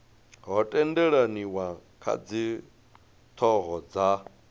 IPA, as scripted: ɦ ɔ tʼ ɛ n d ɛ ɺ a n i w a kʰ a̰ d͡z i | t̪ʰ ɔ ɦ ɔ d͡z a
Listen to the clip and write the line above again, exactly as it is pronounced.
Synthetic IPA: ɦ ɔ tʼ ɛ n d ɛ ɺ a n i w a kʰ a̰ d͡z i | t̪ʰ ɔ ɦ ɔ d͡z a

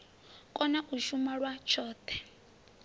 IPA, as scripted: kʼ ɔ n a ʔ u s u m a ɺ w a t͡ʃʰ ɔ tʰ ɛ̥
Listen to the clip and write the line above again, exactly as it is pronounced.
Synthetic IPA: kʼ ɔ n a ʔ u ʃ u m a ɺ w a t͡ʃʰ ɔː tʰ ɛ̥

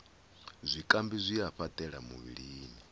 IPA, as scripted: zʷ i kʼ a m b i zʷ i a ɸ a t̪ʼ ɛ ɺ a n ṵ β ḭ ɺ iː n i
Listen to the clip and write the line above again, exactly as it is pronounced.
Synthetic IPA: zʷ i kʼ a m b i zʷ i a ɸ a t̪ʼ ɛ ɺ a m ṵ β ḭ ɺ iː n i

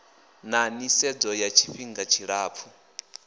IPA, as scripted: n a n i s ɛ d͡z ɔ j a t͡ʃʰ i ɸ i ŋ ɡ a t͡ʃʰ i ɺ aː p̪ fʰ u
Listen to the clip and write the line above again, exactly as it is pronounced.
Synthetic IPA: n a n i s ɛ d͡z ɔ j a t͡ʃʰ i ɸ i ŋ ɡ a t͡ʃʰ i ɺ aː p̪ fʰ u

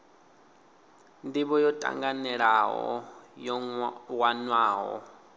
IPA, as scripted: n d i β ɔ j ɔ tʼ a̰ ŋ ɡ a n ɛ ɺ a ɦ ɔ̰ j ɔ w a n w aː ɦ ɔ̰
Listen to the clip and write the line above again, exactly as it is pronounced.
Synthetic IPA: n d i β ɔ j ɔ tʼ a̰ ŋ ɡ a n ɛ ɺ a ɦ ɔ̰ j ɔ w a n w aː ɦ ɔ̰

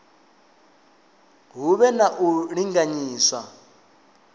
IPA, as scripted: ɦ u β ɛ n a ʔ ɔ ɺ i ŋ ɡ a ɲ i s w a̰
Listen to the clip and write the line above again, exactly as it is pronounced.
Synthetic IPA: ɦ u β ɛ n a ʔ u ɺ i ŋ ɡ a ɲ iː s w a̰

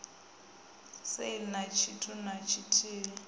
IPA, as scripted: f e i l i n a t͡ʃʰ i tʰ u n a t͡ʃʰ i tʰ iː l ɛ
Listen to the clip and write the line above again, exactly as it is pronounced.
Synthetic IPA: s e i l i n a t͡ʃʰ i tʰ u n a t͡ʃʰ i tʰ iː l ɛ

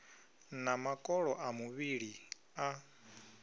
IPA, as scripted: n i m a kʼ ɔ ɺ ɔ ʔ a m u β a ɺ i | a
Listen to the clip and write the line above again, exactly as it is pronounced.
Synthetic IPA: n a m a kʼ ɔ ɺ ɔ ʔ a m u β i ɺ i | a

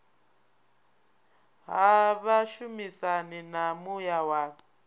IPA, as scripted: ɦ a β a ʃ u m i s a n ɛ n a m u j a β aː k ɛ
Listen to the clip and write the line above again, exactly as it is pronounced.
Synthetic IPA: ɦ a β a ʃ u m i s a n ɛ n a m u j a w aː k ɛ

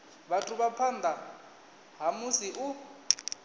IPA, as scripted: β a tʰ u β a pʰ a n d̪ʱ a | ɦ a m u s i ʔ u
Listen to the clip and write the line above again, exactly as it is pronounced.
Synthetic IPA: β a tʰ u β a pʰ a n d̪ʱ a | ɦ a m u s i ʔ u

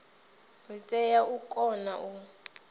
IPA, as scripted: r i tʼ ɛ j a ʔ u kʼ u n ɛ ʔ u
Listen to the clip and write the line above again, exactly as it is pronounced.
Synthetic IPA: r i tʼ ɛ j a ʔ u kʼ ɔ n a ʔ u

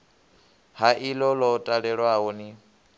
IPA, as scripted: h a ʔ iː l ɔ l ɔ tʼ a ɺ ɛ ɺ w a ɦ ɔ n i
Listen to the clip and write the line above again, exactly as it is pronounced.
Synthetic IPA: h a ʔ i l ɔ l ɔ tʼ a ɺ ɛ ɺ w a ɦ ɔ n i

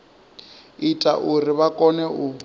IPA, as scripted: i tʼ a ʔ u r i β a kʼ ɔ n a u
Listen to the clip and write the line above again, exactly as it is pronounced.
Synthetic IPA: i tʼ a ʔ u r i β a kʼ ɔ n ɛ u

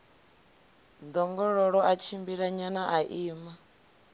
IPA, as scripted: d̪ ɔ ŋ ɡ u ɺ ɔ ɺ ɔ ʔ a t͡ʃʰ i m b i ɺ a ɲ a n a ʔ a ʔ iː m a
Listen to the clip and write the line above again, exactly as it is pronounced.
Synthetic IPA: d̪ ɔ ŋ ɡ ɔ ɺ ɔ ɺ ɔ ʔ a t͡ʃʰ i m b i ɺ a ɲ a n a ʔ a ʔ iː m a

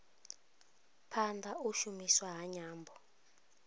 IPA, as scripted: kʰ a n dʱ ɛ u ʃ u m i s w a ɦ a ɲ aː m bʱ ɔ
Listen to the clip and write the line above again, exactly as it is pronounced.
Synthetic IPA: pʰ a n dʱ a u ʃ u m i s w a ɦ a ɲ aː m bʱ ɔ

